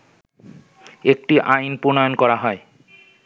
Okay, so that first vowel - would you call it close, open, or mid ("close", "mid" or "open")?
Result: mid